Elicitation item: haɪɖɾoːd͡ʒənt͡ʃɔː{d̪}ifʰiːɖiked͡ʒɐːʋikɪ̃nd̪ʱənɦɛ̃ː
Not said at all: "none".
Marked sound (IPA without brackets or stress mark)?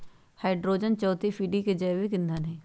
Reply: t̪